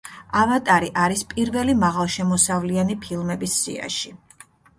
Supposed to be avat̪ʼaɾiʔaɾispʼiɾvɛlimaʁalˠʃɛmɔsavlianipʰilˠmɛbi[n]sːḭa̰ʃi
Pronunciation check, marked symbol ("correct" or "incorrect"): incorrect